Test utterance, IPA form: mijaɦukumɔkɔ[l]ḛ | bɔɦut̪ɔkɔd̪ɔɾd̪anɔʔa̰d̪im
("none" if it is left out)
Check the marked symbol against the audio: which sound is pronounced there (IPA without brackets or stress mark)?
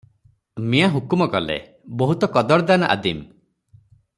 l